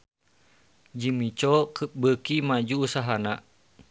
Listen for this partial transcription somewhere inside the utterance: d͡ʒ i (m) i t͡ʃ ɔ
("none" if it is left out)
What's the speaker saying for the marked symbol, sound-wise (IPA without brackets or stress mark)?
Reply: m